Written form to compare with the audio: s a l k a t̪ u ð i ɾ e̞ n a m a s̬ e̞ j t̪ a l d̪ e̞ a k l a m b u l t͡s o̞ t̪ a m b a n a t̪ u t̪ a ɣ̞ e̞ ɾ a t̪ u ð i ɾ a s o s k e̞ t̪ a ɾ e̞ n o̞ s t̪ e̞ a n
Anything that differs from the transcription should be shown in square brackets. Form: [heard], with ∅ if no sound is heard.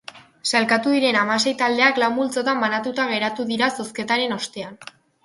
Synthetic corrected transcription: s a l k a t̪ u ð i ɾ e̞ n a m a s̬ e̞ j t̪ a l d̪ e̞ a k l a m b u l t͡s o̞ t̪ a m b a n a t̪ u t̪ a ɣ̞ e̞ ɾ a t̪ u ð i ɾ a s o s k e̞ t̪ a ɾ e̞ n o̞ s t̪ e̞ a n